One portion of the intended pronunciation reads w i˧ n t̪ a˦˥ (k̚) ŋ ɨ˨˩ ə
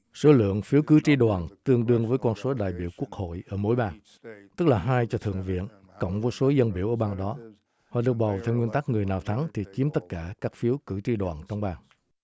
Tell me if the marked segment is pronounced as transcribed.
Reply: yes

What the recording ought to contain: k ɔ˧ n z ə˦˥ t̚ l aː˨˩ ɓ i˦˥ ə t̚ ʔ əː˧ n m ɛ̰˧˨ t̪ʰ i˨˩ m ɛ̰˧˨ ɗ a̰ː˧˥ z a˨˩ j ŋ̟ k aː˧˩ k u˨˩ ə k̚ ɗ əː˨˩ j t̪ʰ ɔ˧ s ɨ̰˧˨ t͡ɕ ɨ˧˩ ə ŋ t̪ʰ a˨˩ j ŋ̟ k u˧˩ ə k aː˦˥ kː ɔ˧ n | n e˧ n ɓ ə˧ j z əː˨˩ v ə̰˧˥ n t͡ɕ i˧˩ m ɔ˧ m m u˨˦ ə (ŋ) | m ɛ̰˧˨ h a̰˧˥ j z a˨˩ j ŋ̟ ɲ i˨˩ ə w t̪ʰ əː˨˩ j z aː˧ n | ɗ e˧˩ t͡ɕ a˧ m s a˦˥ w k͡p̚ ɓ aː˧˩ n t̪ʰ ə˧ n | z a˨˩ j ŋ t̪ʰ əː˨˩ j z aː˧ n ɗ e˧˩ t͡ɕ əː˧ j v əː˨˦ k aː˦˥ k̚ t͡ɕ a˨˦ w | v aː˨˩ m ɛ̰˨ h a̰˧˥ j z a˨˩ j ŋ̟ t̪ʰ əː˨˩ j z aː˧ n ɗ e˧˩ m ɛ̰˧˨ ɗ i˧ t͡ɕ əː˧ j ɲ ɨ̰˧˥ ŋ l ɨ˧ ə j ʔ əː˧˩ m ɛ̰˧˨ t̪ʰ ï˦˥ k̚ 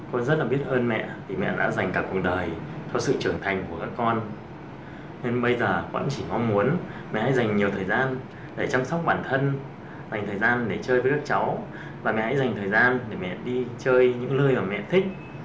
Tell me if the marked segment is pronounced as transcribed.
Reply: no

